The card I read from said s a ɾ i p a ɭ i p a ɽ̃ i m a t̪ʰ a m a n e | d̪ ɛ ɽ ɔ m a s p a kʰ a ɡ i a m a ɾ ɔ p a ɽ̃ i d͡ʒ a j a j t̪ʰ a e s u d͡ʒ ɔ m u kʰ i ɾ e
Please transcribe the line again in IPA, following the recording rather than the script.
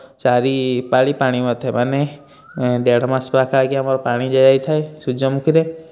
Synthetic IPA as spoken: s a ɾ i p a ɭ i p a ɽ̃ i m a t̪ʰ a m a n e | d̪ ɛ ɽ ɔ m a s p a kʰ a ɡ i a m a ɾ ɔ p a ɽ̃ i d͡ʒ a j a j t̪ʰ a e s u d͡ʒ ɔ m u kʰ i ɾ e